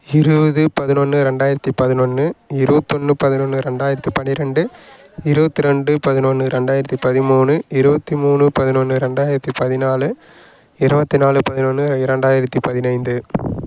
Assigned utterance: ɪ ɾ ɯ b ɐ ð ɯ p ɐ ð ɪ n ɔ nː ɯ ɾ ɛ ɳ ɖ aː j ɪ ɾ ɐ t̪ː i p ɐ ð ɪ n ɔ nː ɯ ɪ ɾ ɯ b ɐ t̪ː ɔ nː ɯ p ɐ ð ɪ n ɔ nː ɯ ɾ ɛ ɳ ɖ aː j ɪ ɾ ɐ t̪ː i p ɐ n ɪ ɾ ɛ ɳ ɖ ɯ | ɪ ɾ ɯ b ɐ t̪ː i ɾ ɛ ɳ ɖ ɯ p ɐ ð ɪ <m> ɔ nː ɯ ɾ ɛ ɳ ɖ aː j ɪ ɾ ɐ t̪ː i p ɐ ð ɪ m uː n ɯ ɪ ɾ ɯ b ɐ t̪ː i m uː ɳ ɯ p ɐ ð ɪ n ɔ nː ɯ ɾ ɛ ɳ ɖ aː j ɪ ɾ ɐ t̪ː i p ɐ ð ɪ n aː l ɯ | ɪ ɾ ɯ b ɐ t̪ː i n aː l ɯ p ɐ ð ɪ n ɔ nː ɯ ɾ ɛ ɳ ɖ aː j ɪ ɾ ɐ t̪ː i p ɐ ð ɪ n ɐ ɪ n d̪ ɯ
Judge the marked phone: incorrect: n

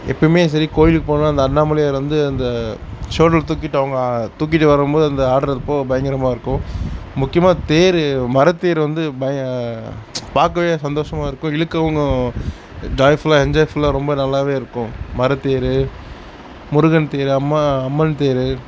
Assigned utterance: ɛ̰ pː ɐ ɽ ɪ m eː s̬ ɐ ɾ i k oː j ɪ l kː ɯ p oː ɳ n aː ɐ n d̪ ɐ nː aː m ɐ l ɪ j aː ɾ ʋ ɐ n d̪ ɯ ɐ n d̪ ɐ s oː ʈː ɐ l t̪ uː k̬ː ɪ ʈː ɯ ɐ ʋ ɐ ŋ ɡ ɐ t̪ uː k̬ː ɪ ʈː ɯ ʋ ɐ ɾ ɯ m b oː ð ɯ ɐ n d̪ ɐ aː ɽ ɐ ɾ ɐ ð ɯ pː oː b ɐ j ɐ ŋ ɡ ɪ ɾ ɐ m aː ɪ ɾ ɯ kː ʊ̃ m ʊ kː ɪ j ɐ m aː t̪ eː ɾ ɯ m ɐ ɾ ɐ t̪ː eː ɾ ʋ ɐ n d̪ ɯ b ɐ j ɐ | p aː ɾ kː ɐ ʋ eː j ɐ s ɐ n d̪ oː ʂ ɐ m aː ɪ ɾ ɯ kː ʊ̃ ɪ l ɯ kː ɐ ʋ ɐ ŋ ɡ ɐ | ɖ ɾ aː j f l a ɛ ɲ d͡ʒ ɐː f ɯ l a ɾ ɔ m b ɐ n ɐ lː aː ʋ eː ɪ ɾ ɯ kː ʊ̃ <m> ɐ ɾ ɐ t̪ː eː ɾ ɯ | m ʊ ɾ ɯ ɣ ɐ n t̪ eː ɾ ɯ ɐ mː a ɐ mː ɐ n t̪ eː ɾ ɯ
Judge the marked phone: correct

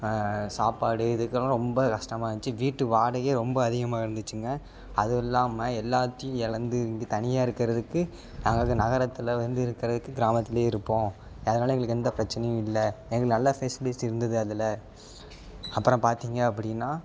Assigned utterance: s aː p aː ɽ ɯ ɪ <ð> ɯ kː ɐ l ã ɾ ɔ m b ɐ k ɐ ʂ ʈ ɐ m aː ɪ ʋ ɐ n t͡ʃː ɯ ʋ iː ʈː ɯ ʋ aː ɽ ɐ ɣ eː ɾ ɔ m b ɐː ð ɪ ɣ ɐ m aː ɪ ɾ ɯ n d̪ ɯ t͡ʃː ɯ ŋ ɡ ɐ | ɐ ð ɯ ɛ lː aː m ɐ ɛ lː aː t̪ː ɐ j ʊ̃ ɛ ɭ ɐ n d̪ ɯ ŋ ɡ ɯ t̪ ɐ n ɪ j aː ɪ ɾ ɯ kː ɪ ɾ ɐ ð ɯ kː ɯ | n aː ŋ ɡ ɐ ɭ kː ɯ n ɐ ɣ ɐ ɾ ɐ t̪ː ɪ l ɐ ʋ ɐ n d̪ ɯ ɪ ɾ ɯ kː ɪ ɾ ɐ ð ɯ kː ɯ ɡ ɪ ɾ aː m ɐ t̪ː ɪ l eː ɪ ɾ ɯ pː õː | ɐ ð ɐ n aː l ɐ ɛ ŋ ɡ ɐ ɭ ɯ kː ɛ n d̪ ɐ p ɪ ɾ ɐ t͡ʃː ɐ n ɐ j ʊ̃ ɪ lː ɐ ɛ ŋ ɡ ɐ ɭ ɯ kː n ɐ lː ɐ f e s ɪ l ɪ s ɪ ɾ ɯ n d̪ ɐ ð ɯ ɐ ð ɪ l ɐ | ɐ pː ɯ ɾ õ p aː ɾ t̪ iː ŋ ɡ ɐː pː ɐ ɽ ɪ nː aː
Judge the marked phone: correct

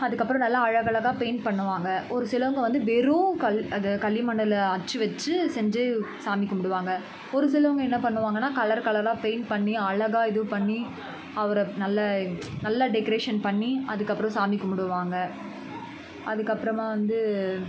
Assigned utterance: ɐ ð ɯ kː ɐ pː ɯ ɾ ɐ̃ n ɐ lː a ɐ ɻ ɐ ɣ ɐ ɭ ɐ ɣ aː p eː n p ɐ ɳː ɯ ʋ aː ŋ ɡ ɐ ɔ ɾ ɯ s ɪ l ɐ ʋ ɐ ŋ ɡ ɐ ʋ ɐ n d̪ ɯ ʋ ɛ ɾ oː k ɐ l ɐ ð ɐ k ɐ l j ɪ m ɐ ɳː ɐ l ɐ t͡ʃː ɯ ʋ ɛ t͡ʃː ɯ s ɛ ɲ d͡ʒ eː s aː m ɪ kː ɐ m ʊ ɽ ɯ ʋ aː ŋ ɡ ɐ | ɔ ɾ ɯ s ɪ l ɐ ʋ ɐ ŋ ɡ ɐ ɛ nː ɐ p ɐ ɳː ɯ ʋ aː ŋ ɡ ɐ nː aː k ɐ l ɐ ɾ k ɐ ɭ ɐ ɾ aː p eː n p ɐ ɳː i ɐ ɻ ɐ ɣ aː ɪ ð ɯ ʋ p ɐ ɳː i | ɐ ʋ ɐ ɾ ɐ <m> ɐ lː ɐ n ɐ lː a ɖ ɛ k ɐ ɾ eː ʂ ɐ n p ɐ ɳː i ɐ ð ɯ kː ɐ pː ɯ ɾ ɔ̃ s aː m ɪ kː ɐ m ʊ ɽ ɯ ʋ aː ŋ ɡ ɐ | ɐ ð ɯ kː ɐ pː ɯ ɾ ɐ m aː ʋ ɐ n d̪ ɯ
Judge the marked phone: incorrect: n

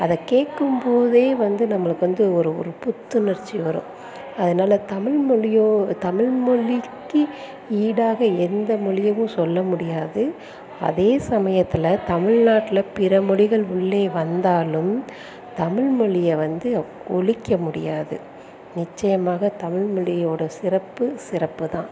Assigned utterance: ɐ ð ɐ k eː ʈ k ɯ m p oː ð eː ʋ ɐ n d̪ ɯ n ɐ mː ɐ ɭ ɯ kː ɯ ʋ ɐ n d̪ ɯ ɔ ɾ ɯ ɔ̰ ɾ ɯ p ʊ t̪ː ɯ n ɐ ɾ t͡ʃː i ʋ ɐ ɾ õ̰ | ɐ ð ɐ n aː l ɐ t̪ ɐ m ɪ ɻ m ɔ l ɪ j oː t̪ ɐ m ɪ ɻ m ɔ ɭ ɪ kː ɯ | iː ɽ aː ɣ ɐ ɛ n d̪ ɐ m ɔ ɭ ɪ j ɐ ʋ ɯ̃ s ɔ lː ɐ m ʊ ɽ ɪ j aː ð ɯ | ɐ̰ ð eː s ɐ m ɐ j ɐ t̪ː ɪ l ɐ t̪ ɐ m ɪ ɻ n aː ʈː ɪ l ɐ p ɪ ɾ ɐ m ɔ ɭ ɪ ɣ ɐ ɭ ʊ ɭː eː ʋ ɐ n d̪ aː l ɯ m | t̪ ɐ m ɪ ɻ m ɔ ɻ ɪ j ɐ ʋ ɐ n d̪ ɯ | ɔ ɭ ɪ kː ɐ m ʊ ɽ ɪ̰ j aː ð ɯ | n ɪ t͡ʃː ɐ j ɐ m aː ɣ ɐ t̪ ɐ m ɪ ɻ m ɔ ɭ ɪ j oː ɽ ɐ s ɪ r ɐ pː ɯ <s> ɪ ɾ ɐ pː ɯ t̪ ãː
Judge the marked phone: correct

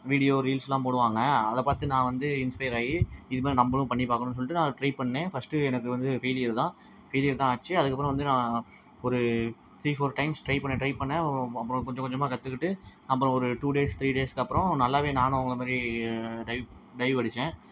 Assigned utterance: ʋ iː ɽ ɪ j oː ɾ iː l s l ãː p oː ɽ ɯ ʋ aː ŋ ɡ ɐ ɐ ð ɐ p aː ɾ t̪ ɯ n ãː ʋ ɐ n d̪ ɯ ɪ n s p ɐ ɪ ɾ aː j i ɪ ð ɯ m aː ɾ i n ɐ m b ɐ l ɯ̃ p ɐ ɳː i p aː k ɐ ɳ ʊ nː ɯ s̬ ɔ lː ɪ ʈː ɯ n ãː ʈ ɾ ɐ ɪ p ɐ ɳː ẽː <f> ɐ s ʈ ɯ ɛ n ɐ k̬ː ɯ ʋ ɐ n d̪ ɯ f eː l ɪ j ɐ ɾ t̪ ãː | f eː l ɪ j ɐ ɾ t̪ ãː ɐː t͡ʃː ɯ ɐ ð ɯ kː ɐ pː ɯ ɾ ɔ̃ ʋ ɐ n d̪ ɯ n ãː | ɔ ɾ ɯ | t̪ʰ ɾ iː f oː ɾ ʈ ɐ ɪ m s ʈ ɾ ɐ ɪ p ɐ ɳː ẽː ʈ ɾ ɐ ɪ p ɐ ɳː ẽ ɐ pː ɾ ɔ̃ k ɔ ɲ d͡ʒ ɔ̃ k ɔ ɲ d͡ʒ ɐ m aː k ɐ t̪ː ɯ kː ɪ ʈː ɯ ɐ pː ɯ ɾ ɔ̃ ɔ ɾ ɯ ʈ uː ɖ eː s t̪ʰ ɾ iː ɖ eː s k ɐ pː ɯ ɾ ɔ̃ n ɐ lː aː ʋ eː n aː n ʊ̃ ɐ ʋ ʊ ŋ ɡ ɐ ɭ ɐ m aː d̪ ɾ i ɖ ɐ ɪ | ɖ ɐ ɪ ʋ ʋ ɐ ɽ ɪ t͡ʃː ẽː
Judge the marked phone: correct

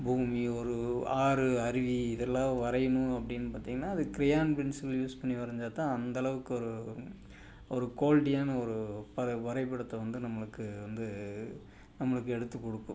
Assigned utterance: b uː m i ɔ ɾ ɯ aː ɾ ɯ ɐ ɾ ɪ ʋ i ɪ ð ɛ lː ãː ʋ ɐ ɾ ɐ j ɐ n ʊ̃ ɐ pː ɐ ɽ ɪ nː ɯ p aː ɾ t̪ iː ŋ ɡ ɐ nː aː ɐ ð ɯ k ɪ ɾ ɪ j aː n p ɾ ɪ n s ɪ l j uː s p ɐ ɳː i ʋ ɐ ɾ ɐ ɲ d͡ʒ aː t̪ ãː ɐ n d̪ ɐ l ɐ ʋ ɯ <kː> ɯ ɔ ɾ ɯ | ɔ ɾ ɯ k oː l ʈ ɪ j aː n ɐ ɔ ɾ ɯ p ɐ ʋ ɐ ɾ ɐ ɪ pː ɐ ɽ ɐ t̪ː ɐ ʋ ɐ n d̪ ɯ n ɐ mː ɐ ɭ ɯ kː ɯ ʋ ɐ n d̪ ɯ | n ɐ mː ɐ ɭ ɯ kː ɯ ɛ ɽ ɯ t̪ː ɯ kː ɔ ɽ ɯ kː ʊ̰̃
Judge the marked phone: correct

